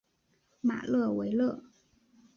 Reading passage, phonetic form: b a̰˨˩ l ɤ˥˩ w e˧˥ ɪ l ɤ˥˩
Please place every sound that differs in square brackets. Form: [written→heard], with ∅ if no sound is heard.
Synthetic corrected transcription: [b→m] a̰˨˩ l ɤ˥˩ w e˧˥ ɪ l ɤ˥˩